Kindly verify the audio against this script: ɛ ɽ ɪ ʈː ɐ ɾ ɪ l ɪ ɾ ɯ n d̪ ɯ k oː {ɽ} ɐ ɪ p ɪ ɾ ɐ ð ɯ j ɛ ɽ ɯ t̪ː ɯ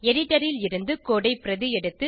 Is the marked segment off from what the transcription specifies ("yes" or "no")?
no